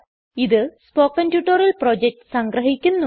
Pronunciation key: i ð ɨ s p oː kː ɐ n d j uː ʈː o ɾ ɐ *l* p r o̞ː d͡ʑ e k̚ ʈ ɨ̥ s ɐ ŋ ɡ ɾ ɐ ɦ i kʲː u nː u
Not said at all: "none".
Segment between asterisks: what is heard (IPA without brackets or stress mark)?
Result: l